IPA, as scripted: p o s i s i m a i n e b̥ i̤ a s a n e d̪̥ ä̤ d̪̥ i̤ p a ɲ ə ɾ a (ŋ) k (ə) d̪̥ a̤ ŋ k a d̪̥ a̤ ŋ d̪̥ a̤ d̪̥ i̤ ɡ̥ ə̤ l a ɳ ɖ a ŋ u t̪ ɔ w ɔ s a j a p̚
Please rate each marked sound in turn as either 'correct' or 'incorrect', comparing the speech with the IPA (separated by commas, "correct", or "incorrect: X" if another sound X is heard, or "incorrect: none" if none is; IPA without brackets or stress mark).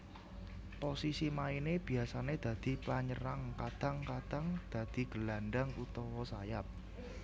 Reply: correct, incorrect: a